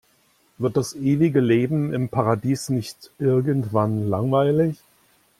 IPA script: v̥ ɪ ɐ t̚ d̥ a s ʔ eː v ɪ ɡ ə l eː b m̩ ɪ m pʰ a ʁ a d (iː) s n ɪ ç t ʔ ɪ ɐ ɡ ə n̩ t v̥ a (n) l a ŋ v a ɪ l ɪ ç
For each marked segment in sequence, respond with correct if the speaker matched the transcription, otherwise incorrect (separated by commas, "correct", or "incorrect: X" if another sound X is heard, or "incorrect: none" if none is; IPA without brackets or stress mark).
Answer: correct, correct